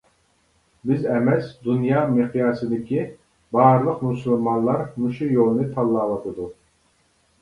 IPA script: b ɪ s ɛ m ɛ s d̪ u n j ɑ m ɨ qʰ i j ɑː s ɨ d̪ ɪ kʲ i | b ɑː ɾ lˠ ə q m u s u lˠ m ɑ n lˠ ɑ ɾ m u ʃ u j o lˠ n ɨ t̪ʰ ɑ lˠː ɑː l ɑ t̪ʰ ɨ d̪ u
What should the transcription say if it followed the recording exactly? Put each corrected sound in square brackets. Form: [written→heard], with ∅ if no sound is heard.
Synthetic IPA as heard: b ɪ [s→z] ɛ m ɛ s d̪ u n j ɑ m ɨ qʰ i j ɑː s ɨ d̪ ɪ kʲ i | b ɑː ɾ lˠ ə q m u s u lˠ m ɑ n lˠ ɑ ɾ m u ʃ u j o lˠ n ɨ t̪ʰ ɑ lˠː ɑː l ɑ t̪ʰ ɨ d̪ u